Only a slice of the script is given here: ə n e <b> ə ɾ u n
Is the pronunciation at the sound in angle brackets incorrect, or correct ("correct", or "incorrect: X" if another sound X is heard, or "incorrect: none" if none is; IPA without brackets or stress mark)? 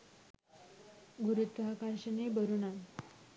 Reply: correct